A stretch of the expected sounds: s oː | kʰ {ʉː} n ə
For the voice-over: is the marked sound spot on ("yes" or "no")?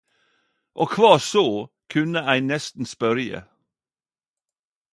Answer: no